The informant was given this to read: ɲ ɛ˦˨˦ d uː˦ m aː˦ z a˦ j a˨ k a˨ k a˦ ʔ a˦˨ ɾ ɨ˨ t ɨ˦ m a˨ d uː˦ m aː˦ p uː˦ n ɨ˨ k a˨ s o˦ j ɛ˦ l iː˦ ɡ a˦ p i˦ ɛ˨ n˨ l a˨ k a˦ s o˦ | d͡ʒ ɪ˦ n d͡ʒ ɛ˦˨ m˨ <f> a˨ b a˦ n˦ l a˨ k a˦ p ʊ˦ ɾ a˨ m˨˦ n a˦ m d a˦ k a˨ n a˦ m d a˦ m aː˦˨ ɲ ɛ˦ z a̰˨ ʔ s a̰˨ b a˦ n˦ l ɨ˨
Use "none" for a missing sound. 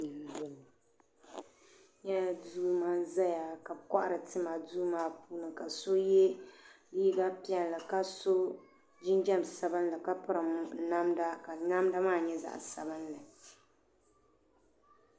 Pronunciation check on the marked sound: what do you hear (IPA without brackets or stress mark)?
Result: s